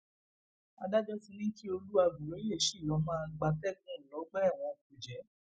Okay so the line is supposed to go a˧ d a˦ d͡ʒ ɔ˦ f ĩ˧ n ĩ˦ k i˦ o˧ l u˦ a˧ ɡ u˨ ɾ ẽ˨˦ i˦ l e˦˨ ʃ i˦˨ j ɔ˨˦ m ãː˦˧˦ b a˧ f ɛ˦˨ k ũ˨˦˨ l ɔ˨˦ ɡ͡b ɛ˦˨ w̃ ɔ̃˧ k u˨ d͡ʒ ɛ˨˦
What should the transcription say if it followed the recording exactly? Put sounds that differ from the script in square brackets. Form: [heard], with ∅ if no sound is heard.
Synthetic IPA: a˧ d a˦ d͡ʒ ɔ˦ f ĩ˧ n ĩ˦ k i˦ o˧ l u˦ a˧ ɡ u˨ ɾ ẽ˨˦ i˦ l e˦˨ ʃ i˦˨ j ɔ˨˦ m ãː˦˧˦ [ɡ͡b] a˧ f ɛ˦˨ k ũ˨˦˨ l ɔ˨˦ ɡ͡b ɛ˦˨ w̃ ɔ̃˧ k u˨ d͡ʒ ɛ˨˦